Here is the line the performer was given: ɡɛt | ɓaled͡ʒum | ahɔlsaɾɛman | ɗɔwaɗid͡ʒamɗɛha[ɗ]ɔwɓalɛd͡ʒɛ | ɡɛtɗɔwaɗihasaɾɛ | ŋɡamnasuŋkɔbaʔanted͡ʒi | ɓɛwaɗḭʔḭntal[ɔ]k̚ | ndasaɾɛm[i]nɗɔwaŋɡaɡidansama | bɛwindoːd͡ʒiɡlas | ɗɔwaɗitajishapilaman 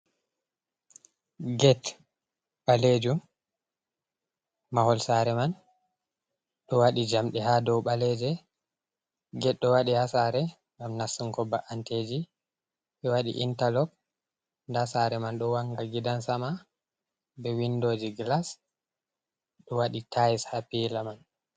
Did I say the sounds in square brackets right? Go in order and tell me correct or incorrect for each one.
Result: incorrect, correct, incorrect

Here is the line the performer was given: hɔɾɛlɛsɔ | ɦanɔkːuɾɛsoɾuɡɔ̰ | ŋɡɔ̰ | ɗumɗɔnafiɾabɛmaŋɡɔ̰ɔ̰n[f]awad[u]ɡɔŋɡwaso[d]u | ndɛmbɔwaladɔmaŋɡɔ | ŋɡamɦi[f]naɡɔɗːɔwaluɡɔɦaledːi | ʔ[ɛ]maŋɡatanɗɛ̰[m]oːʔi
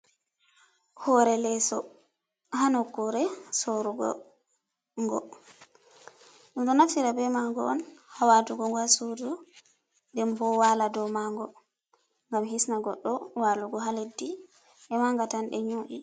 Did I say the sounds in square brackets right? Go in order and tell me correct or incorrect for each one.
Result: incorrect, correct, correct, incorrect, correct, incorrect

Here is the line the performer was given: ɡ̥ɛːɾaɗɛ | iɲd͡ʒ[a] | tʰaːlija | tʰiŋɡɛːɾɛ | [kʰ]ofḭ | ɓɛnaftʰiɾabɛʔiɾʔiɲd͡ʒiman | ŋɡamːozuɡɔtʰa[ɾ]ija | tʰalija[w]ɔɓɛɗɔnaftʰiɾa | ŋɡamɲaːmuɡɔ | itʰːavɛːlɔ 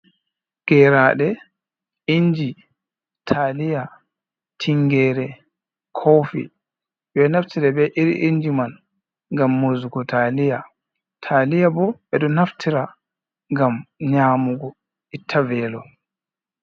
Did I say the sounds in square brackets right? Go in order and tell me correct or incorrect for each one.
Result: incorrect, correct, incorrect, incorrect

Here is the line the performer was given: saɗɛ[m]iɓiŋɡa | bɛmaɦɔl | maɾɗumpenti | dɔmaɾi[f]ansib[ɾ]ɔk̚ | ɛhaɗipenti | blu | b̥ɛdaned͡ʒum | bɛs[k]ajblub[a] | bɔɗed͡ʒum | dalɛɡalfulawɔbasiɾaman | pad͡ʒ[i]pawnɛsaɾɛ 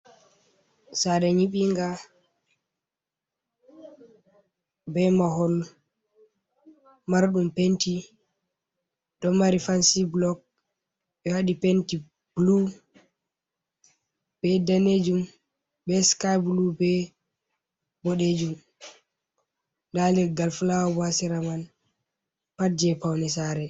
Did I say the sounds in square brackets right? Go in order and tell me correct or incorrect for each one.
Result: incorrect, correct, incorrect, correct, incorrect, incorrect

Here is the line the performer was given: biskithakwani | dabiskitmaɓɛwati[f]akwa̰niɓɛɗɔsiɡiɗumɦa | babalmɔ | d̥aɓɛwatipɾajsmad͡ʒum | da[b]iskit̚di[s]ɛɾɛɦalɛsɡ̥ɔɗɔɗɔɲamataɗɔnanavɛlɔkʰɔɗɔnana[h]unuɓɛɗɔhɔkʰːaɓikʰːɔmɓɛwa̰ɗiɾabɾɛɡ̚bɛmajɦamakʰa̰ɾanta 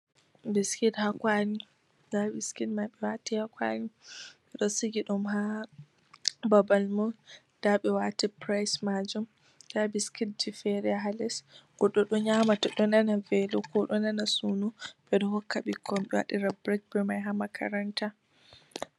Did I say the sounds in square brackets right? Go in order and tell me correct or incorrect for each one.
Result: incorrect, correct, incorrect, incorrect

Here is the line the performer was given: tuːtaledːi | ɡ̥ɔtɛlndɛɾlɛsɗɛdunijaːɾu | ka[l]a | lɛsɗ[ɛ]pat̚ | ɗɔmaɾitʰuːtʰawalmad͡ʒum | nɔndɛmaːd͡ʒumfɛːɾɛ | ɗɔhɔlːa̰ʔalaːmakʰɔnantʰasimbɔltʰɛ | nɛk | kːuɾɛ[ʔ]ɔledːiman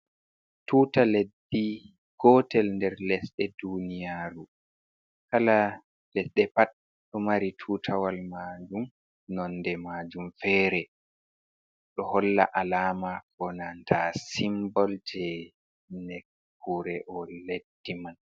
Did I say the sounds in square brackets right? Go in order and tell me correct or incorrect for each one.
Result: correct, correct, correct

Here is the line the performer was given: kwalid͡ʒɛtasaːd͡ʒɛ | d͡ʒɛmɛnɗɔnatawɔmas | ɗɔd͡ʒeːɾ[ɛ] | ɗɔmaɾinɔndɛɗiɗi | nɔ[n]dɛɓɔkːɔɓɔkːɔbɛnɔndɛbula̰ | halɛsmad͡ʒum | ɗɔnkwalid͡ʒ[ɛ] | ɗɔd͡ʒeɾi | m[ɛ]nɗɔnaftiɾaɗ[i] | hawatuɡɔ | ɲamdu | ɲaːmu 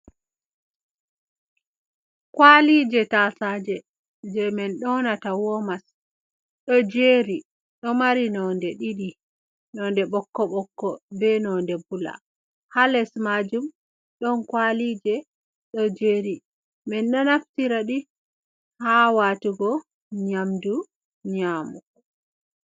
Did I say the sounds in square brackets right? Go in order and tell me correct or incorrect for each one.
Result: incorrect, correct, correct, correct, correct

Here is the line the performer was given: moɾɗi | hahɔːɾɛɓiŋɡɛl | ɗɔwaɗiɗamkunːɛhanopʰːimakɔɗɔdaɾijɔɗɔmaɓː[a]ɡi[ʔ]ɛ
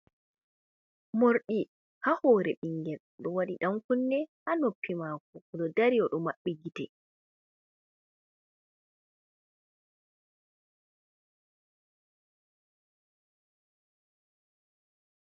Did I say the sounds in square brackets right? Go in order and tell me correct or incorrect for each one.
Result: incorrect, incorrect

